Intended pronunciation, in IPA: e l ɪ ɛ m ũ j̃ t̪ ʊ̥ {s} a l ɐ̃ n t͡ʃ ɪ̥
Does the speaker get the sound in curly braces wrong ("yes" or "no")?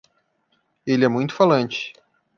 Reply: yes